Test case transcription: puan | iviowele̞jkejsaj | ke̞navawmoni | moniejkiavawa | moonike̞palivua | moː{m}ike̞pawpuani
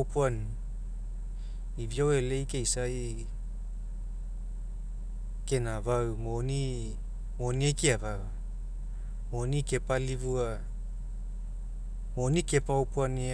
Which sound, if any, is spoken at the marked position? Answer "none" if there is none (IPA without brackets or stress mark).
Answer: n